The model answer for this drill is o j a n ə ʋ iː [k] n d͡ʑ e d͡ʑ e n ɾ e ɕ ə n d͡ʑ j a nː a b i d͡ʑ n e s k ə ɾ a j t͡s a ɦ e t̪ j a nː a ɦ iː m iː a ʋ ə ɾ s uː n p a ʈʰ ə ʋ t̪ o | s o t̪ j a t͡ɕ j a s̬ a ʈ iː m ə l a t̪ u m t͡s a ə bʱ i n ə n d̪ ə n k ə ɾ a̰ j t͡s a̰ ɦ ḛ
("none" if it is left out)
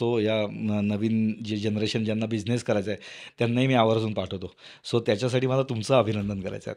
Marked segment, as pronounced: none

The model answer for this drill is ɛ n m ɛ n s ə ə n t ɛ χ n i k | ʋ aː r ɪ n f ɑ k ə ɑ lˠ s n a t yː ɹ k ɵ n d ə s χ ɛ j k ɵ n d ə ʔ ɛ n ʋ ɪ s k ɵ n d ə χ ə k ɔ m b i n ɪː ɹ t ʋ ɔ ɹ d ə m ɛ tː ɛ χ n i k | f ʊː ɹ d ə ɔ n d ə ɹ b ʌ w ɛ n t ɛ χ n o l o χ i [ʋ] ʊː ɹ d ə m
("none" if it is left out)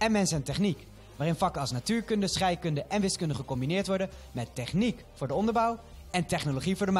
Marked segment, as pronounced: v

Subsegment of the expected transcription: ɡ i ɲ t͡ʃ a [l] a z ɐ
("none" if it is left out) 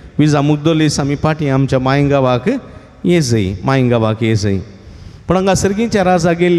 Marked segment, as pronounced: ɾ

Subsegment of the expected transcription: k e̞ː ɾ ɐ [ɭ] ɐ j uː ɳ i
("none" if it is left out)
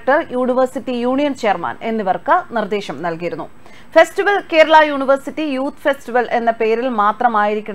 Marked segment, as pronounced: ɭ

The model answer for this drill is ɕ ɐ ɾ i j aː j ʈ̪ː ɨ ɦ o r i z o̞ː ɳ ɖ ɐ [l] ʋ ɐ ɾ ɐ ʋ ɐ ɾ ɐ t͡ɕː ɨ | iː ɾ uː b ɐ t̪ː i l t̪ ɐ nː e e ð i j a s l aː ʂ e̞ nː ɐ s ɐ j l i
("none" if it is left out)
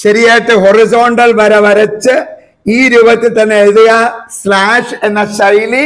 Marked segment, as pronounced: l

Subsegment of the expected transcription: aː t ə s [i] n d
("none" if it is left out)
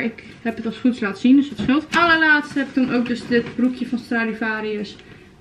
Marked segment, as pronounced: i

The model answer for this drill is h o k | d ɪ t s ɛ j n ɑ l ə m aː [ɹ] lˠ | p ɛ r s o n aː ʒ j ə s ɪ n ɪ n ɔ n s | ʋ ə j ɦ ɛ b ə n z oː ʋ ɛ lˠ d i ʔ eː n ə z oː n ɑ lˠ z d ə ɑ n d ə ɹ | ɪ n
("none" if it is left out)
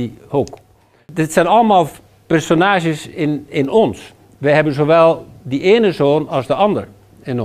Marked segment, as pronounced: none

